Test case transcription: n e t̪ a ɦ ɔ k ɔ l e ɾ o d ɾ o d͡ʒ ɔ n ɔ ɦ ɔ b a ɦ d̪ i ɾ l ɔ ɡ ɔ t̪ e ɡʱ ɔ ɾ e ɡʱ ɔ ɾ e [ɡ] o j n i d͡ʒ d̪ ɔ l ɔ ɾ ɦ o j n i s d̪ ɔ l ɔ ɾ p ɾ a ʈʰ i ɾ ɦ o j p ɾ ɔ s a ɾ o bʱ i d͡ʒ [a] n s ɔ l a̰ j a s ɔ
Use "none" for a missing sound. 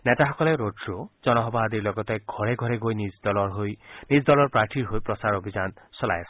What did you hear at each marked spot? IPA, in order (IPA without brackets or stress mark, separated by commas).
ɡ, a